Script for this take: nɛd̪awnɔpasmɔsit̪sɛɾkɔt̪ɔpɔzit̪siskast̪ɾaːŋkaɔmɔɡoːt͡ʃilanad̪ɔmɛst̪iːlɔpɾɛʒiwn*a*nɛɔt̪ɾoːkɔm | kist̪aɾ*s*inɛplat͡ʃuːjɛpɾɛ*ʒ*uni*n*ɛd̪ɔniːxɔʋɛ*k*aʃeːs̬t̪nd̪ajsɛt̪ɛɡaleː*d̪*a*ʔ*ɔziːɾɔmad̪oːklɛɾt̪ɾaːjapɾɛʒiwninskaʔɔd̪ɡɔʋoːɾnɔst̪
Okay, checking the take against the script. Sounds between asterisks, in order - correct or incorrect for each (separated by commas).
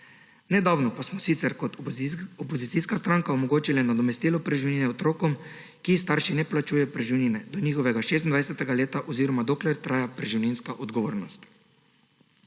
incorrect, incorrect, correct, correct, incorrect, incorrect, correct